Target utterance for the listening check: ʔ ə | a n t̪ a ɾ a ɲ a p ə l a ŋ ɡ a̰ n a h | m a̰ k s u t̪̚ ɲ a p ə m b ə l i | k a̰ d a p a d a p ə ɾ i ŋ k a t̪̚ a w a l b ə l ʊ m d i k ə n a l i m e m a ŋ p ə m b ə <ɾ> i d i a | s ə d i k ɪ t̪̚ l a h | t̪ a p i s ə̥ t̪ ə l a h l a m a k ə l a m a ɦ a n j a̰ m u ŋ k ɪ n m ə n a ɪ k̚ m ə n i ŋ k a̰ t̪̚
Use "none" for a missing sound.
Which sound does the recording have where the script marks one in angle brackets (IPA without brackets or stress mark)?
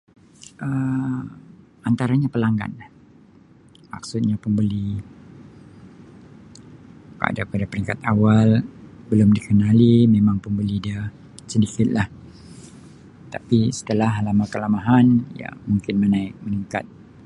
l